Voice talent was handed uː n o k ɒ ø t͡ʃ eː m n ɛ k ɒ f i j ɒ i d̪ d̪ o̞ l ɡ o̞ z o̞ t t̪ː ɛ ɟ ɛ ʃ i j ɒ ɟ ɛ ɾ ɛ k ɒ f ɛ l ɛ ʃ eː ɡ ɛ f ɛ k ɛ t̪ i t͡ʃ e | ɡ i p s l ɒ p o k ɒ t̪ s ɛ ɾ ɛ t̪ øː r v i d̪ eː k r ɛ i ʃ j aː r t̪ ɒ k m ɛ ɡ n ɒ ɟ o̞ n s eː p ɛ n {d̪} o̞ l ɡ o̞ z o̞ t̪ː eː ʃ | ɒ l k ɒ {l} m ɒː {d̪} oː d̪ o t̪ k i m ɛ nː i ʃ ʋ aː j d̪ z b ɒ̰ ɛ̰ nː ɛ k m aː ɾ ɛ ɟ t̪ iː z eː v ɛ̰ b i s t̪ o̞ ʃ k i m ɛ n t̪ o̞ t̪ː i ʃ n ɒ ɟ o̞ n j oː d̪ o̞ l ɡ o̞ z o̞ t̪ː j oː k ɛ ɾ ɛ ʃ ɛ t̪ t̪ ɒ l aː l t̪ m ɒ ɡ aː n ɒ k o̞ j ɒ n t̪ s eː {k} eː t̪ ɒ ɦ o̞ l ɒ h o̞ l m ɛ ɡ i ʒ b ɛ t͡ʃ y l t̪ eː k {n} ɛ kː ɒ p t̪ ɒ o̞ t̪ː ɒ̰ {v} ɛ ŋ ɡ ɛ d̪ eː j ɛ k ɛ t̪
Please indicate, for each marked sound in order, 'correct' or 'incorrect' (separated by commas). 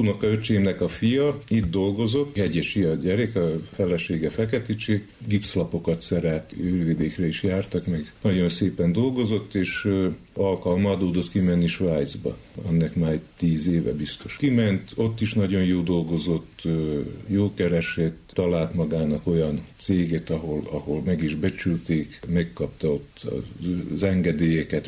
correct, correct, correct, incorrect, incorrect, incorrect